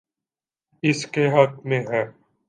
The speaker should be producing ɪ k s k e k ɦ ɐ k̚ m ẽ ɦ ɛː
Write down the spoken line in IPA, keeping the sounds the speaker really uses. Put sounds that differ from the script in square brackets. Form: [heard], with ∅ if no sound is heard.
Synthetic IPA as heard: ɪ [∅] s k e [∅] ɦ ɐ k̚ m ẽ ɦ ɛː